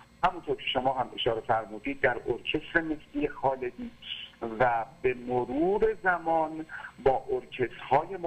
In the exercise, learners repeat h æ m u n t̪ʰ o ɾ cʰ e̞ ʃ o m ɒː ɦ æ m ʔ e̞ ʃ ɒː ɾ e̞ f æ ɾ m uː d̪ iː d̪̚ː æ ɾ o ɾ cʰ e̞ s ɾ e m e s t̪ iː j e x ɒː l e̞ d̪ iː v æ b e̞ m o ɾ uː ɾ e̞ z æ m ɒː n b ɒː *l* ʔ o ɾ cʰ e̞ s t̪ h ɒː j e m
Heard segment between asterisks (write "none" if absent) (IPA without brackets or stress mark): none